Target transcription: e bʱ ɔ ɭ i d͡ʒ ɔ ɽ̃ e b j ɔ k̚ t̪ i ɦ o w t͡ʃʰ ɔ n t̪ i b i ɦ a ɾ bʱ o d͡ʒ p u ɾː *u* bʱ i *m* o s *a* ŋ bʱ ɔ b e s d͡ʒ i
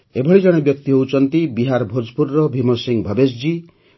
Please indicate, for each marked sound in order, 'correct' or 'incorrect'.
incorrect: ɔ, correct, incorrect: i

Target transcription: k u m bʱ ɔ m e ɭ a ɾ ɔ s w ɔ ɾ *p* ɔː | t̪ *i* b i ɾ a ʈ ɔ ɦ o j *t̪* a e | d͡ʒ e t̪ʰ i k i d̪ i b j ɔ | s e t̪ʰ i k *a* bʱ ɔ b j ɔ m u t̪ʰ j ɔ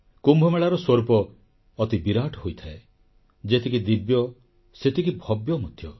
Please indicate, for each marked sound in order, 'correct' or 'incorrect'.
correct, correct, incorrect: t̪ʰ, incorrect: i

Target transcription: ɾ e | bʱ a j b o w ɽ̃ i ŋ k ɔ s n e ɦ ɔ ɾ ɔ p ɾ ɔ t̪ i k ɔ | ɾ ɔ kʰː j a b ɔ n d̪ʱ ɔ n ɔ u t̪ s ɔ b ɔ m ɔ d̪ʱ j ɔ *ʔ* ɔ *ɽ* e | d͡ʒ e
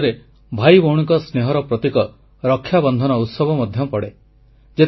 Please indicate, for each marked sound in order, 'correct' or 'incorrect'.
incorrect: p, correct

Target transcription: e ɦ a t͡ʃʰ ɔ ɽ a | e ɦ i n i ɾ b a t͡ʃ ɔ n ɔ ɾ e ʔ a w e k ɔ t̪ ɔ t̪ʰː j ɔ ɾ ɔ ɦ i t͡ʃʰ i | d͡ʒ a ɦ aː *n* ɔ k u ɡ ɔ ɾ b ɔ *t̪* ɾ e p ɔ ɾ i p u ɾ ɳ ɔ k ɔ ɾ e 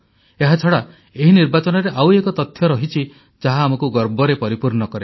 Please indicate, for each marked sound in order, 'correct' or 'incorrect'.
incorrect: m, incorrect: none

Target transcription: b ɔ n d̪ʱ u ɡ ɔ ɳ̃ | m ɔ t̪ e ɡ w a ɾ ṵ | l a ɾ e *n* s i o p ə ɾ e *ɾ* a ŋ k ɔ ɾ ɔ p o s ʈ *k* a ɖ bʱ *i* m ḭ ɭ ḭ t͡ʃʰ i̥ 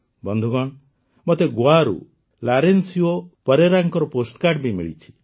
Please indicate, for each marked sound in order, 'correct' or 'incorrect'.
correct, correct, correct, correct

